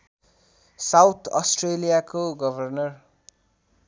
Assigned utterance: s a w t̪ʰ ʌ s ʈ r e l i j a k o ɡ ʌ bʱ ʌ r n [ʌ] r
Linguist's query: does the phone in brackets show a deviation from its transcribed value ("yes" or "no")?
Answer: no